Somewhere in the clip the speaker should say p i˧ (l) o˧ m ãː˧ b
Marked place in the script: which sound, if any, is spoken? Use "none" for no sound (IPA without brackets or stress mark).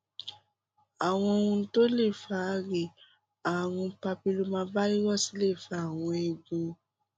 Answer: l